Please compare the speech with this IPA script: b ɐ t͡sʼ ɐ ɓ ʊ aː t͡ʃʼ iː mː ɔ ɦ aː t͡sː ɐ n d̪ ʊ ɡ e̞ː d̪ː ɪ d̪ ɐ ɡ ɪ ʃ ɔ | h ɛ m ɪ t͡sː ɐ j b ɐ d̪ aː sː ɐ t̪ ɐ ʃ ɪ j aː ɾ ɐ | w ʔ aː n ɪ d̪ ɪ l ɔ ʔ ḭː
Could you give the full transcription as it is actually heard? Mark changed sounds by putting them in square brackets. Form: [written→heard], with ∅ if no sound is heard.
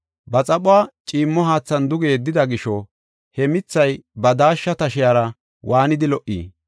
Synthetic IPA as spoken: b ɐ t͡sʼ ɐ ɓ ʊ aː t͡ʃʼ iː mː ɔ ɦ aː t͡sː ɐ n d̪ ʊ ɡ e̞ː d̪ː ɪ d̪ ɐ ɡ ɪ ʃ ɔ | h ɛ m ɪ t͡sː ɐ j b ɐ d̪ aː [sː→ʃː] ɐ t̪ ɐ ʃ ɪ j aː ɾ ɐ | w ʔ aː n ɪ d̪ ɪ l ɔ ʔ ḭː

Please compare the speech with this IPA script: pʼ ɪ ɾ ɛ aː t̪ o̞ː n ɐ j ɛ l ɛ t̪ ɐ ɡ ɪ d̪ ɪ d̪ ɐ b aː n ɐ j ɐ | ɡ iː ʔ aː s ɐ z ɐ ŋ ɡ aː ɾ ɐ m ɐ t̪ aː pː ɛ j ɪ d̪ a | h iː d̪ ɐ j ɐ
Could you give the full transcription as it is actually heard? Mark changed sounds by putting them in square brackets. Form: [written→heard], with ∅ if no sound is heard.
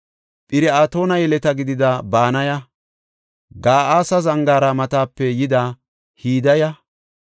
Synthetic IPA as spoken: pʼ ɪ ɾ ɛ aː t̪ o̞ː n ɐ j ɛ l ɛ t̪ ɐ ɡ ɪ d̪ ɪ d̪ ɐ b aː n ɐ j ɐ | ɡ [iː→aː] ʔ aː s ɐ z ɐ ŋ ɡ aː ɾ ɐ m ɐ t̪ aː pː ɛ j ɪ d̪ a | h iː d̪ ɐ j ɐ

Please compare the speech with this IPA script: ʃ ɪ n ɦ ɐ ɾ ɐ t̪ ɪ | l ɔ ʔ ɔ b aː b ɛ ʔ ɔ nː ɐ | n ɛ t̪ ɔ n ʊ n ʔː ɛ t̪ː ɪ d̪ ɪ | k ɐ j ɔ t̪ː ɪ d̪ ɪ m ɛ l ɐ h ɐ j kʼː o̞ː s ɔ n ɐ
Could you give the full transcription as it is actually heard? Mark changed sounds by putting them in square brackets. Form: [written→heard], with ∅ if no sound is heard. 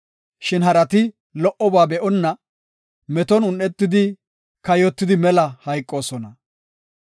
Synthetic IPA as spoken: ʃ ɪ n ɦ ɐ ɾ ɐ t̪ ɪ | l ɔ ʔ ɔ b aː b ɛ ʔ ɔ nː ɐ | [n→m] ɛ t̪ ɔ n ʊ n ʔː ɛ t̪ː ɪ d̪ ɪ | k ɐ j ɔ t̪ː ɪ d̪ ɪ m ɛ l ɐ h ɐ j kʼː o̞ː s ɔ n ɐ

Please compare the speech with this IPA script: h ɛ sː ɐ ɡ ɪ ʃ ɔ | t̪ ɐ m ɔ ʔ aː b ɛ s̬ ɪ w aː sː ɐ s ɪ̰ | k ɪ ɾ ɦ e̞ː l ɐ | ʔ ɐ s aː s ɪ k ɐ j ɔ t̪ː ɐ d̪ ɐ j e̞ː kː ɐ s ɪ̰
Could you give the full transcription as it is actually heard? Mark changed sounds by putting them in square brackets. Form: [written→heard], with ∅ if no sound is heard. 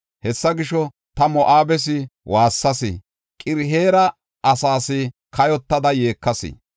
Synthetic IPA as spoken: h ɛ sː ɐ ɡ ɪ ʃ ɔ | t̪ ɐ m ɔ ʔ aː b ɛ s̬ ɪ w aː sː ɐ s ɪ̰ | [k→kʼ] ɪ ɾ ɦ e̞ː [l→ɾ] ɐ | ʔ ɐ s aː s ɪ k ɐ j ɔ t̪ː ɐ d̪ ɐ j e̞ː kː ɐ s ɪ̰

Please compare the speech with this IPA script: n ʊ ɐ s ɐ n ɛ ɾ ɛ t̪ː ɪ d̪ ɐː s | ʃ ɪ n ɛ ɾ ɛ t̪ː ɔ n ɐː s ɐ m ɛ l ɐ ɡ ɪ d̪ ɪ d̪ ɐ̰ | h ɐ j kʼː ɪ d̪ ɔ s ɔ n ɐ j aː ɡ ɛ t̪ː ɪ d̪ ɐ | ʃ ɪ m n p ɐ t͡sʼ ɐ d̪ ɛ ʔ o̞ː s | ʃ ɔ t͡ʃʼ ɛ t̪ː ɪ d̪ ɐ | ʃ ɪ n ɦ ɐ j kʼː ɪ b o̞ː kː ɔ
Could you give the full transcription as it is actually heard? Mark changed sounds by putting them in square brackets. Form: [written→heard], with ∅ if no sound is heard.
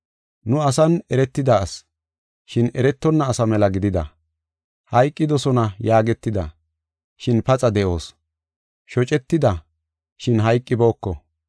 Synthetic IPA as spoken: n ʊ ɐ s ɐ n ɛ ɾ ɛ t̪ː ɪ d̪ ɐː s | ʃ ɪ n ɛ ɾ ɛ t̪ː ɔ [n→nː] ɐː s ɐ m ɛ l ɐ ɡ ɪ d̪ ɪ d̪ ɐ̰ | h ɐ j kʼː ɪ d̪ ɔ s ɔ n ɐ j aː ɡ ɛ t̪ː ɪ d̪ ɐ | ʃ ɪ [m→∅] n p ɐ t͡sʼ ɐ d̪ ɛ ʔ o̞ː s | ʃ ɔ t͡ʃʼ ɛ t̪ː ɪ d̪ ɐ | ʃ ɪ n ɦ ɐ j kʼː ɪ b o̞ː kː ɔ

